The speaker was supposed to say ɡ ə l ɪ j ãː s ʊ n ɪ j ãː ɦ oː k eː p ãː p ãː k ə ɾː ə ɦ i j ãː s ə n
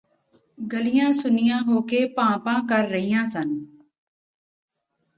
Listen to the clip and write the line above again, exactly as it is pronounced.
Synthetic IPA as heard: ɡ ə l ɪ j ãː s ʊ n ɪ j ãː ɦ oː k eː p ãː p ãː k ə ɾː ə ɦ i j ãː s ə n